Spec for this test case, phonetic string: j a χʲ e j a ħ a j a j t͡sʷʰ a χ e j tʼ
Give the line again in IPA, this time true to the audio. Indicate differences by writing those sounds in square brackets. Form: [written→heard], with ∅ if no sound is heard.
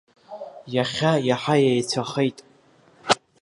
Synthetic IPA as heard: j a χʲ [e→a] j a ħ a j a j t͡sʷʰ a χ e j tʼ